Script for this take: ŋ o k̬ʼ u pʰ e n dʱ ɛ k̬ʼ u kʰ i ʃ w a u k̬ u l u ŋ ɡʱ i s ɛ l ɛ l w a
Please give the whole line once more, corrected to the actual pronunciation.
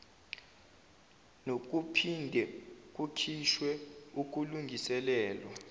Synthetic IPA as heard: n o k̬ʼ u pʰ i n dʱ ɛ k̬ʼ u kʰ i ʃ w ɛ u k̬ u l u ŋ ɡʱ i s ɛ l ɛː l w a